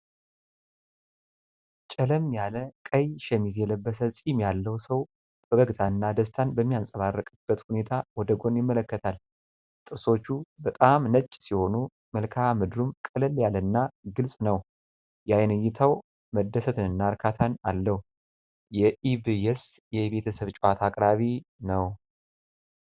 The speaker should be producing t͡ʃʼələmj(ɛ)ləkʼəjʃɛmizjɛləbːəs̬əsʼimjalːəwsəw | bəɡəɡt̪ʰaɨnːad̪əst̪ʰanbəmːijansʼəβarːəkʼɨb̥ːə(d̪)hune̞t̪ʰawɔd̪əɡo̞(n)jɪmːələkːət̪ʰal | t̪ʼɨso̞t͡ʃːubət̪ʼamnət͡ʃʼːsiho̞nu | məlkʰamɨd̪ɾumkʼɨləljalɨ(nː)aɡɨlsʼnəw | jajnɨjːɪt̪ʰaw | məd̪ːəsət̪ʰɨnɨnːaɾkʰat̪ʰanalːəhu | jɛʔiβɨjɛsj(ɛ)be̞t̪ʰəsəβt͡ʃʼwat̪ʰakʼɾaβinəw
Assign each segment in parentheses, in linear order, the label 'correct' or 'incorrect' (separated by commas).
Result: incorrect, incorrect, correct, correct, correct